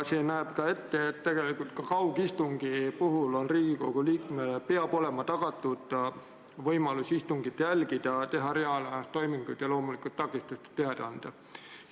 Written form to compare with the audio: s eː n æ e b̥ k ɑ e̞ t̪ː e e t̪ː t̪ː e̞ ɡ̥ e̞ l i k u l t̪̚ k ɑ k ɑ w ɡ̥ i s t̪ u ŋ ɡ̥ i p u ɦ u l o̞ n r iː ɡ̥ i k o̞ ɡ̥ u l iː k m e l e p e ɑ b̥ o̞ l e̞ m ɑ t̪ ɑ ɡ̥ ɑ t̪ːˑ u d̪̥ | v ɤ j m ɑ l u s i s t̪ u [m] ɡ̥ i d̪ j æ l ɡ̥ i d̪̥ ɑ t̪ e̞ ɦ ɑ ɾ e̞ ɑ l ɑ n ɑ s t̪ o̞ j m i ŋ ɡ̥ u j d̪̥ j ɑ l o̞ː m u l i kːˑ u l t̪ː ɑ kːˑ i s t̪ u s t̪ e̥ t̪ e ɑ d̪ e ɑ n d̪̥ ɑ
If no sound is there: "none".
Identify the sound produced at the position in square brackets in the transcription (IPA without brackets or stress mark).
ŋ